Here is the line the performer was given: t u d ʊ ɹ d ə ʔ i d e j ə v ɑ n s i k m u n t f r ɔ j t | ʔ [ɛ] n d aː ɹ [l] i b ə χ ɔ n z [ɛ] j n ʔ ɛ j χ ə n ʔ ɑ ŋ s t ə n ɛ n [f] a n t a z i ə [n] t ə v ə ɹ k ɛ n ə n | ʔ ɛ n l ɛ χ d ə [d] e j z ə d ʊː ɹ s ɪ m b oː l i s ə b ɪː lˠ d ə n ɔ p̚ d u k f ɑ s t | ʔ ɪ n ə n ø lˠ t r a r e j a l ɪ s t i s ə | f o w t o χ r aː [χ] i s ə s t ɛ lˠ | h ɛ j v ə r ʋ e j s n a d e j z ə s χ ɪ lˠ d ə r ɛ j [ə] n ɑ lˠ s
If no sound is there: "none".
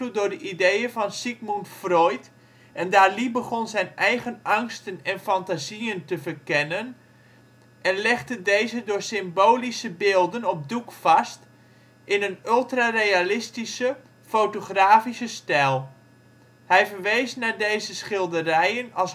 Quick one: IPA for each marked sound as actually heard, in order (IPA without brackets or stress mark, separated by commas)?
ɛ, l, ɛ, f, n, d, f, ə